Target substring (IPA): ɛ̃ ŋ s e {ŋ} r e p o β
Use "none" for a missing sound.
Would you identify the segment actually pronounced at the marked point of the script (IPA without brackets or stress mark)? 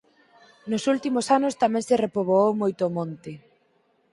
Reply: none